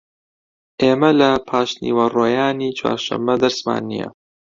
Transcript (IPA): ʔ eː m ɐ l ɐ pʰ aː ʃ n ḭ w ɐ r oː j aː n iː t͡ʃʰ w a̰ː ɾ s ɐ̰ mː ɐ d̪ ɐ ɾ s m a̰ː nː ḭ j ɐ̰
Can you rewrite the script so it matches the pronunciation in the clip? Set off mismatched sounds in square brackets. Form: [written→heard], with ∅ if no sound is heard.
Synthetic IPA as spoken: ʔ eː m ɐ l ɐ pʰ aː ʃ n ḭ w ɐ r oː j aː n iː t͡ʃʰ w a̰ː ɾ [s→ʃ] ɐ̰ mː ɐ d̪ ɐ ɾ s m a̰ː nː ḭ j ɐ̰